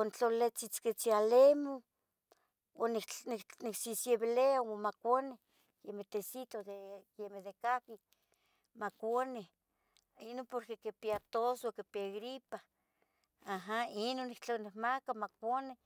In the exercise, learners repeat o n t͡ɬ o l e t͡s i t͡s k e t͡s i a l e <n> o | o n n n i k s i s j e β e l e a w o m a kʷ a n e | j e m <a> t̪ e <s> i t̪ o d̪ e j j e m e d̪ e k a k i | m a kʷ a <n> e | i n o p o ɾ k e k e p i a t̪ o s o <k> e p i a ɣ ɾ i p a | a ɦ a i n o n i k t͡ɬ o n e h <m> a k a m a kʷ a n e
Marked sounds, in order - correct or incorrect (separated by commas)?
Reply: incorrect, incorrect, correct, correct, correct, correct